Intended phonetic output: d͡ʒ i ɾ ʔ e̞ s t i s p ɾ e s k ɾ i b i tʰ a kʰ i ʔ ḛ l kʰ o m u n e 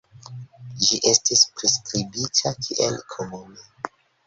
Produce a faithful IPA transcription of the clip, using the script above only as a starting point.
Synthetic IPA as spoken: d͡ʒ i ʔ e̞ s t i s p ɾ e s k ɾ i b i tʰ a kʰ i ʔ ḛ l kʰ o m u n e